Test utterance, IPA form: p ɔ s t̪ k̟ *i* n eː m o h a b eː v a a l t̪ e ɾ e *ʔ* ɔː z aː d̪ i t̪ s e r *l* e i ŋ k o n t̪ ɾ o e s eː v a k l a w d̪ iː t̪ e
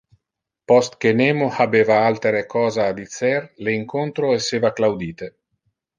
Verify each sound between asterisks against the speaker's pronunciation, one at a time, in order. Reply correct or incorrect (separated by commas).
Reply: incorrect, incorrect, correct